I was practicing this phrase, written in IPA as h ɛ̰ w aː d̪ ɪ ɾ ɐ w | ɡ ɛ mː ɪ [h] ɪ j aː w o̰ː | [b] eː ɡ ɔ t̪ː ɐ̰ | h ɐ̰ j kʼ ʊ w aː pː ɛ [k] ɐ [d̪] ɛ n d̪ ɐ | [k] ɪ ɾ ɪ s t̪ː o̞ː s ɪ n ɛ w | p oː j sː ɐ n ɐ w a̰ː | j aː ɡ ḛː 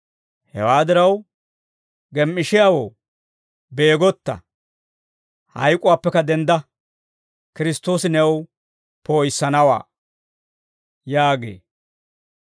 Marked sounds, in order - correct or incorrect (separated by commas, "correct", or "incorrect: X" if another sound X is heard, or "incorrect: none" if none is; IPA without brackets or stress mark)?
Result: incorrect: ʃ, correct, correct, correct, correct